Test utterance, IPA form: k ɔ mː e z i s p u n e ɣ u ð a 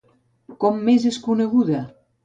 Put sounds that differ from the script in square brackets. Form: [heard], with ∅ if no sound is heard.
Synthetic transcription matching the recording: k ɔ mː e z [e] s [k] u n e ɣ u ð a